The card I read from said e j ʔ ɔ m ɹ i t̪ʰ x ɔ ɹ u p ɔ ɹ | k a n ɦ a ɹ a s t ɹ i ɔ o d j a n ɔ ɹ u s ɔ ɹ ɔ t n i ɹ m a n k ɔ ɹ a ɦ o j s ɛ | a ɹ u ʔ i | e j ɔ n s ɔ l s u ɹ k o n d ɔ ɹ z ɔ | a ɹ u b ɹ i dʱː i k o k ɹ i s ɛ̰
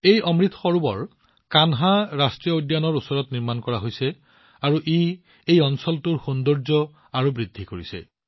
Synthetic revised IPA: e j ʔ ɔ m ɹ i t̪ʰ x ɔ ɹ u b ɔ ɹ | k a n ɦ a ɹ a s t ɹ i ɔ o d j a n ɔ ɹ u s ɔ ɹ ɔ t n i ɹ m a n k ɔ ɹ a ɦ o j s ɛ | a ɹ u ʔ i | e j ɔ n s ɔ l t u ɹ x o n d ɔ ɹ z ɔ | a ɹ u b ɹ i dʱː i k o ɹ i s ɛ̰